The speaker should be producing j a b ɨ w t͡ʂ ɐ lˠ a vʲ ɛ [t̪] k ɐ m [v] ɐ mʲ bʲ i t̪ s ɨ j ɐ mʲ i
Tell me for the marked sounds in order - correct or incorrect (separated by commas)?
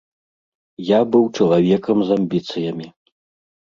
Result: incorrect, incorrect